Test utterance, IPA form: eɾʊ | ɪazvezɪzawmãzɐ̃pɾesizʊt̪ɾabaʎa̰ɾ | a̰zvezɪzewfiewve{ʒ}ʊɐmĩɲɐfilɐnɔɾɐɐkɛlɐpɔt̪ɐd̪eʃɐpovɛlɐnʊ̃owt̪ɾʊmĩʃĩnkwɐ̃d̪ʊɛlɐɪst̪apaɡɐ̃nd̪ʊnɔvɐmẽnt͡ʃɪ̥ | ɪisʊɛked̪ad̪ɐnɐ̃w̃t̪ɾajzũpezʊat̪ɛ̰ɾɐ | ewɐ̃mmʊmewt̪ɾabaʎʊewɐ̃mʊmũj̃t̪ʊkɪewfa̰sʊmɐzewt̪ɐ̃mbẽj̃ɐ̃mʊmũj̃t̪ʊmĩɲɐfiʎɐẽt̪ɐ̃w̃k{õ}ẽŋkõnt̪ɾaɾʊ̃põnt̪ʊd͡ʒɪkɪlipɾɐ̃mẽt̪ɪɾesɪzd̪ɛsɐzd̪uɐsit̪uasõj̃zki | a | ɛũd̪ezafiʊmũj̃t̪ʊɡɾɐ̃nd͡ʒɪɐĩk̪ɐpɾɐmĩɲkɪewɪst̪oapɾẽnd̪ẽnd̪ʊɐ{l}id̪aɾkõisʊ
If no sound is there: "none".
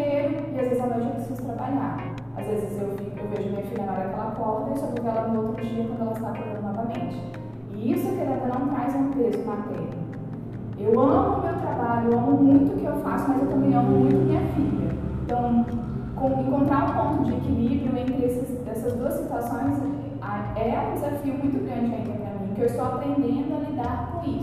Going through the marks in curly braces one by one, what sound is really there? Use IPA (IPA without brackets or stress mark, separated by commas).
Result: ʒ, õ, l